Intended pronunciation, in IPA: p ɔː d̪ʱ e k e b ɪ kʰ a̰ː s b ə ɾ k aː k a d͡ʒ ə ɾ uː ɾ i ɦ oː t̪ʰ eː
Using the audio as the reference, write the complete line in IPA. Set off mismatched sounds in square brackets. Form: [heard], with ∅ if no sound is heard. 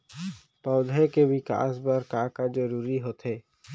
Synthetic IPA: p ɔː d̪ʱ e k e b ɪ [k] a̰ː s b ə ɾ k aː k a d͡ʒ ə ɾ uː ɾ i ɦ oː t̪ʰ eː